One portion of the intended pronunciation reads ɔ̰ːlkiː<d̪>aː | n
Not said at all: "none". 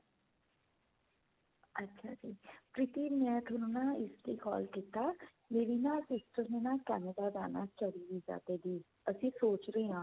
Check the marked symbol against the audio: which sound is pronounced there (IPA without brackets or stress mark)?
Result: t̪